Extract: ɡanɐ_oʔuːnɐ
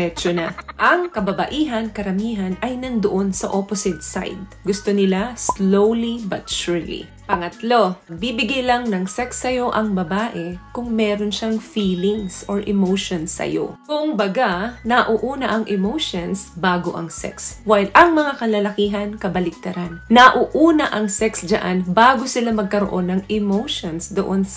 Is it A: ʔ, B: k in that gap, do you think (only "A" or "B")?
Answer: A